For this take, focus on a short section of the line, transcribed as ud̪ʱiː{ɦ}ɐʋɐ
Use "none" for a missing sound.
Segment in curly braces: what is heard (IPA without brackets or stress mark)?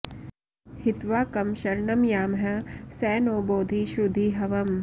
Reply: ɦ